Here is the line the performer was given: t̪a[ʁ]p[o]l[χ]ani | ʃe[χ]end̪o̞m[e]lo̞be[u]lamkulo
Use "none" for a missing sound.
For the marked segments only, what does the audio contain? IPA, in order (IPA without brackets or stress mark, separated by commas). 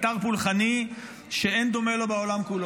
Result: ʁ, u, χ, none, e, o